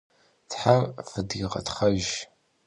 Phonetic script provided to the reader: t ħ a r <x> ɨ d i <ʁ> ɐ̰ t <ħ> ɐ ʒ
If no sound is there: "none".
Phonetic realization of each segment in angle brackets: f, ʁ, χ

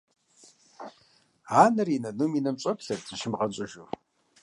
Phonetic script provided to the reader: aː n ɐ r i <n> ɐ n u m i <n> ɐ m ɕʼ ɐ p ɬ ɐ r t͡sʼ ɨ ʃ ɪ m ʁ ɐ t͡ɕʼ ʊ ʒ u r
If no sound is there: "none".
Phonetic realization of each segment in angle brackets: n, n

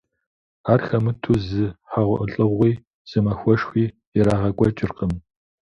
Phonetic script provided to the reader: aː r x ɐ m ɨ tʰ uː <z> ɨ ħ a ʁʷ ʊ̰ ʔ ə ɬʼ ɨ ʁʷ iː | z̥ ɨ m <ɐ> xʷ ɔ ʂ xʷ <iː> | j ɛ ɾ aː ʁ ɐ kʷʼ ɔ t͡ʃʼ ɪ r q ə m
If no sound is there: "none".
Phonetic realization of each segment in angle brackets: z, ɐ, iː

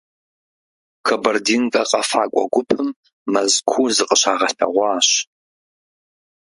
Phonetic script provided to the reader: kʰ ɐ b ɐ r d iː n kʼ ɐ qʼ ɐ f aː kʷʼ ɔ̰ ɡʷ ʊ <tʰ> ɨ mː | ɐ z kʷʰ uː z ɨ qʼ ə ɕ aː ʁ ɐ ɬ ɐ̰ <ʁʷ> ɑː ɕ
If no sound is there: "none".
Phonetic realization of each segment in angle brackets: pʰ, ʁʷ

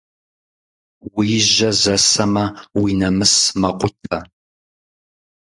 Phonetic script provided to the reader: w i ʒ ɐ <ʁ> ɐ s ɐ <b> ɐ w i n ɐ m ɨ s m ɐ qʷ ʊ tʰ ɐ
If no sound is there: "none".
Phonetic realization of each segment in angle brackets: z, m

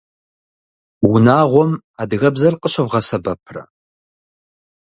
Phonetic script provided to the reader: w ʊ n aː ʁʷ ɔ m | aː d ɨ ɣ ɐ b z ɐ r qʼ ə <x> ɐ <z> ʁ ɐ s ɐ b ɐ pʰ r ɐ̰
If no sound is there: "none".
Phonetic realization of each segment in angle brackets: ɕ, v

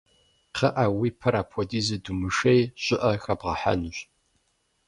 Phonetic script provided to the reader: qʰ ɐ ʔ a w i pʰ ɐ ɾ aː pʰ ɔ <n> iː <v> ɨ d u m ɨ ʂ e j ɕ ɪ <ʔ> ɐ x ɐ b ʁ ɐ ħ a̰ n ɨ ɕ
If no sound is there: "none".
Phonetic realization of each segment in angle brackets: d, z, ʔ

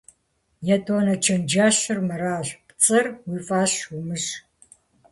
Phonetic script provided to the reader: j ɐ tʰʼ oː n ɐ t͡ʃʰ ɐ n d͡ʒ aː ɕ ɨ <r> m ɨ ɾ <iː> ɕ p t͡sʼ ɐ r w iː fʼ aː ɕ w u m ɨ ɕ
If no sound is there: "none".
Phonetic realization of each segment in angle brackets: r, aː

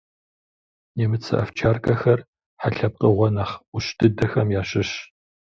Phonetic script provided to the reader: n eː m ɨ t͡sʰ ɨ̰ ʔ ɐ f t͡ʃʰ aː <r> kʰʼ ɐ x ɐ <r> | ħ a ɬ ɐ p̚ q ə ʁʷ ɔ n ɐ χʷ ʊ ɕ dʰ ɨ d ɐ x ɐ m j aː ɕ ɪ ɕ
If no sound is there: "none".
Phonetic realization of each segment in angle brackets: r, r

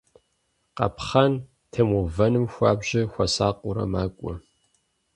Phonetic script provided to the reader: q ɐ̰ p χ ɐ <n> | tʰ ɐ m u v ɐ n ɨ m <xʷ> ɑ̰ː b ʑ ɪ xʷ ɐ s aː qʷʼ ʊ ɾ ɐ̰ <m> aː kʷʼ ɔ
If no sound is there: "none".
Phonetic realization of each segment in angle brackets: n, xʷ, m

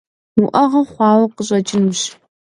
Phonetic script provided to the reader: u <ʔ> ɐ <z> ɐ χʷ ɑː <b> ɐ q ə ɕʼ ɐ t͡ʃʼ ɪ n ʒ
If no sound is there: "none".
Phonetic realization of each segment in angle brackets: ʔ, ʁ, w

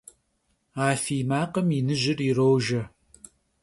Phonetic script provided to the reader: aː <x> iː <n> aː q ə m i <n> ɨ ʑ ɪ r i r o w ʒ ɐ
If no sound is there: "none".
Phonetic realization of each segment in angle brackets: f, m, n

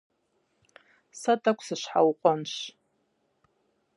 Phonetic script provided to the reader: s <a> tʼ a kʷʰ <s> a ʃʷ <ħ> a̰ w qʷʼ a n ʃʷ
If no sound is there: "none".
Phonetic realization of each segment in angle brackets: a, s, ħ

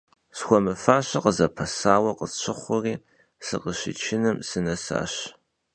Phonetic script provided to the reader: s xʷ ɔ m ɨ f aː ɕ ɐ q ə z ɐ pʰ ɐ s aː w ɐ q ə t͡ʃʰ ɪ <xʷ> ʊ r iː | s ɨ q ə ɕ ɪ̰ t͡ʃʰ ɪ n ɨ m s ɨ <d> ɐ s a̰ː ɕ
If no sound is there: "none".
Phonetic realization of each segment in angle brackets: χʷ, n

